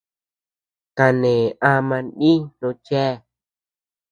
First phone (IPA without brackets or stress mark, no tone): k